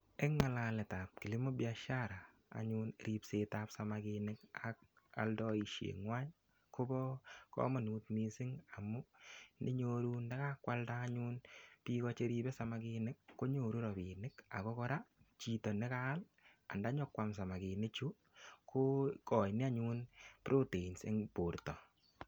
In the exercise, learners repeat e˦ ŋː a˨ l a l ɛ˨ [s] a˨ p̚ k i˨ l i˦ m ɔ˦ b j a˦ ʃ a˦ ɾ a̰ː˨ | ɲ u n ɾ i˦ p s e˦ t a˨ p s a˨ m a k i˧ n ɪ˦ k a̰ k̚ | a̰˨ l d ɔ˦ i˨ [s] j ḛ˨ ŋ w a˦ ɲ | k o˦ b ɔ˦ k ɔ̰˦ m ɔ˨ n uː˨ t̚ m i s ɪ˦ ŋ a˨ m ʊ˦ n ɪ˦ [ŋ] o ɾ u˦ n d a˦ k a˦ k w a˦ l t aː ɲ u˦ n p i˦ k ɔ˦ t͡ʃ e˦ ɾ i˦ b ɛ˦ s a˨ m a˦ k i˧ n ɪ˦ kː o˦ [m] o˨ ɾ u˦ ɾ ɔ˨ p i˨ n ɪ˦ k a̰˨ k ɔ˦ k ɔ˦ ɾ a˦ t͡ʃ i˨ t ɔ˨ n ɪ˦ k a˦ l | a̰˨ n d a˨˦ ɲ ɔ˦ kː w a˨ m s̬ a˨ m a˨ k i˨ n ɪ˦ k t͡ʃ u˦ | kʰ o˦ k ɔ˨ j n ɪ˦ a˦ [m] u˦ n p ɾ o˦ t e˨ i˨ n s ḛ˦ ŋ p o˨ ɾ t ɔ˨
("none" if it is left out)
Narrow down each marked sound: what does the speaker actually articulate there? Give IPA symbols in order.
t, ʃ, ɲ, ɲ, ɲ

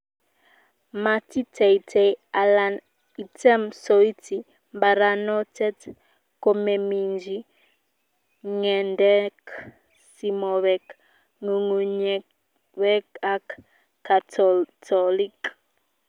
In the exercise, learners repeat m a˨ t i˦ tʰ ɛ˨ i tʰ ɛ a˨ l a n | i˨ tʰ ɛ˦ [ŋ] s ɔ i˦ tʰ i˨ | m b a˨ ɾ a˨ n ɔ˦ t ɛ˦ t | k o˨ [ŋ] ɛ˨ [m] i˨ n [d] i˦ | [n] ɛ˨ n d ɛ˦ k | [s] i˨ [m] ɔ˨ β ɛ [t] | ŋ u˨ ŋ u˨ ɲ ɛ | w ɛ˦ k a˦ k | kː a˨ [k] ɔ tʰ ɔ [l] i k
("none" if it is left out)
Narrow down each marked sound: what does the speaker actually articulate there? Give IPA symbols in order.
m, m, m, d͡ʒ, ŋ, s, m, k, t, l

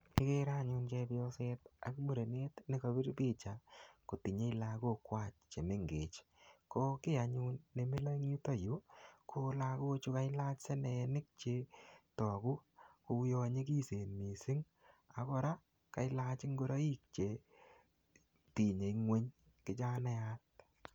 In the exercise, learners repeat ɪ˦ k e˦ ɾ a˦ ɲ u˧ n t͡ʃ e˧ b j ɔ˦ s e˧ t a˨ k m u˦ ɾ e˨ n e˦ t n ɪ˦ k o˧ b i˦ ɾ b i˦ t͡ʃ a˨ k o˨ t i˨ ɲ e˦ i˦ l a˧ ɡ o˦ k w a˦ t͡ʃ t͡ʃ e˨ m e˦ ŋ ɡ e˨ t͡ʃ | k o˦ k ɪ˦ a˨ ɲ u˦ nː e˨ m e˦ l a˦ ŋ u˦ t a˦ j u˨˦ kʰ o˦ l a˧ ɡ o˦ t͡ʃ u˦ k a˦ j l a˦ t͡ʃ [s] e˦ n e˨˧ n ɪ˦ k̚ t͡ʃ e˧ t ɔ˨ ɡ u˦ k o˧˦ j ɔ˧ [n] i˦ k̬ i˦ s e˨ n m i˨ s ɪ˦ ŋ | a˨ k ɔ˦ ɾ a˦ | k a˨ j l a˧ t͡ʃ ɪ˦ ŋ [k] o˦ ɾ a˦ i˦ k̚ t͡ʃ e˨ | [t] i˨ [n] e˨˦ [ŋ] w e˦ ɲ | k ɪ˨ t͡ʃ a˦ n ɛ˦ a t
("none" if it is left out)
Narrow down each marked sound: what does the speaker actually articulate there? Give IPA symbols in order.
s, ɲ, ɡ, t, ɲ, ŋ

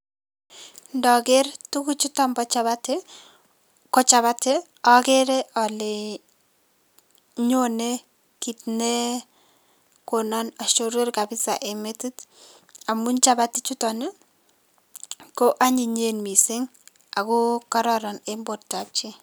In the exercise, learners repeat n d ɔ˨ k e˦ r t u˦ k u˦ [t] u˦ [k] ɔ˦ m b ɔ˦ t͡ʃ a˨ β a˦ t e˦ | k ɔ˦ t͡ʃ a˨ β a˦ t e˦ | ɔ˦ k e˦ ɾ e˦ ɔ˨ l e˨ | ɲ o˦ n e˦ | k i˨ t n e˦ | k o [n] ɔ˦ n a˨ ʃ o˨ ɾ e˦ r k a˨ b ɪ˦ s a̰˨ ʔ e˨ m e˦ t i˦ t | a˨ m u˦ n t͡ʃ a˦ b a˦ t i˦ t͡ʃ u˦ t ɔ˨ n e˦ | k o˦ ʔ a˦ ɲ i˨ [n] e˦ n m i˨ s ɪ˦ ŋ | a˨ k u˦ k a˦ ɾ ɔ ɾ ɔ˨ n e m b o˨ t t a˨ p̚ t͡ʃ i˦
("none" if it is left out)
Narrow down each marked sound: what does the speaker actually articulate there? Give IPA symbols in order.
t͡ʃ, t, n, ɲ

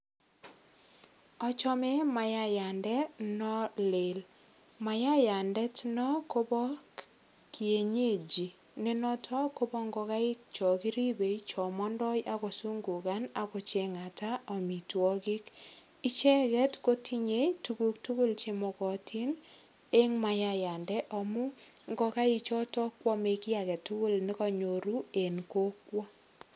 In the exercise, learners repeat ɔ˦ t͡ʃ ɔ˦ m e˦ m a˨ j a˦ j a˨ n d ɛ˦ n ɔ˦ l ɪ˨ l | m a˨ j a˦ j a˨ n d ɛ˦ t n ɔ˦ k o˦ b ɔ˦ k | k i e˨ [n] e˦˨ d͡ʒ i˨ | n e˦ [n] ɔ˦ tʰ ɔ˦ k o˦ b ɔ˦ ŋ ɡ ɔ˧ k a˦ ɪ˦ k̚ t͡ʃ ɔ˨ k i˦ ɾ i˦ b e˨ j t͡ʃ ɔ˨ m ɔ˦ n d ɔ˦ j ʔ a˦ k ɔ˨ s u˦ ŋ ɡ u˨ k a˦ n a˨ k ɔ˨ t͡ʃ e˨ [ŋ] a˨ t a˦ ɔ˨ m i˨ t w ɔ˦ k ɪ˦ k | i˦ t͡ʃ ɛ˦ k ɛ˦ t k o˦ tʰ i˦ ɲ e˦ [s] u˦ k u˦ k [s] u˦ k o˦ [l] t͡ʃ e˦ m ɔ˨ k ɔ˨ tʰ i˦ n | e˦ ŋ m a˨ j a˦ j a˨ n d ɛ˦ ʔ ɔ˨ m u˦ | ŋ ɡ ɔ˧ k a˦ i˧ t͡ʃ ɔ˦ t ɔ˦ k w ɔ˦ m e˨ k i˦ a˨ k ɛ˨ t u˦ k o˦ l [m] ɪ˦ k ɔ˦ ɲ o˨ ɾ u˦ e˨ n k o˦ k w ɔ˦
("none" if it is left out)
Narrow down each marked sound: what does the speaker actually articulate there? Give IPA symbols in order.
ɲ, n, ŋ, t, t, l, n

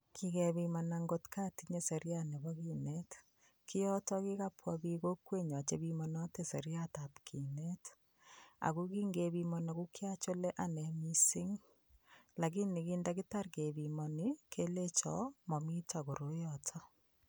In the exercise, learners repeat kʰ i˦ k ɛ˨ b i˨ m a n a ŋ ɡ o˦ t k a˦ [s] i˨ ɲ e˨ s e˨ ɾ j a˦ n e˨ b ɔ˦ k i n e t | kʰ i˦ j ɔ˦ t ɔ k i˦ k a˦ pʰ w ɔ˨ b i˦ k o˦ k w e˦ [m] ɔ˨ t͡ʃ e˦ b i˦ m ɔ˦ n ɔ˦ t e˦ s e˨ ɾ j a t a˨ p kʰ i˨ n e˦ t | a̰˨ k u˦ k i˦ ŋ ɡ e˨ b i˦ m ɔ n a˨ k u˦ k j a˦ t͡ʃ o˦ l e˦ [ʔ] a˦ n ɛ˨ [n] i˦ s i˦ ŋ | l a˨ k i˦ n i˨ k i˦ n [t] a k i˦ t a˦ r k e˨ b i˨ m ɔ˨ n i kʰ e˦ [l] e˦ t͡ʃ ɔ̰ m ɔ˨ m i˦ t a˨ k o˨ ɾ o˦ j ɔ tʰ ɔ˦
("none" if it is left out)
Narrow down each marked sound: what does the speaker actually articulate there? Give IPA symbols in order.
t, ɲ, ʔ, m, d, l

